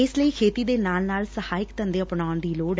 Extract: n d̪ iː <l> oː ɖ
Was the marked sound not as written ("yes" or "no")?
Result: no